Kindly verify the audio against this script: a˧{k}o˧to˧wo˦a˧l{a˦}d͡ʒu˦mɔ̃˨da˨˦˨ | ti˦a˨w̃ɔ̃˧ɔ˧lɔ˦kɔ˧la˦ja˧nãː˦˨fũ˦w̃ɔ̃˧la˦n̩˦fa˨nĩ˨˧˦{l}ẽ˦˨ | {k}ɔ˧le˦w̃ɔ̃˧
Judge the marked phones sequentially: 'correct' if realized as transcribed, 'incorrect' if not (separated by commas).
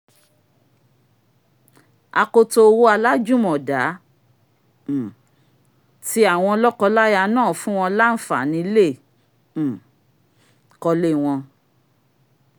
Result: correct, correct, correct, correct